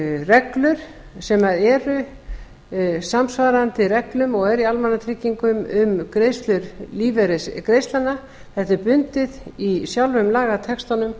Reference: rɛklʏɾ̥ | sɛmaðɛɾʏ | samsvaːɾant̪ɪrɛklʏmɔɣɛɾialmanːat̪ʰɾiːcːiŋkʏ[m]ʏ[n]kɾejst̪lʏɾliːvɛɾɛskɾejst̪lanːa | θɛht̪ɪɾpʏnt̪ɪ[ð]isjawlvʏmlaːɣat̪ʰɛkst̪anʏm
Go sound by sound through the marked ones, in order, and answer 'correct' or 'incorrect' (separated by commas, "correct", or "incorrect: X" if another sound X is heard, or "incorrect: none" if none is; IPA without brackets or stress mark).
correct, incorrect: m, correct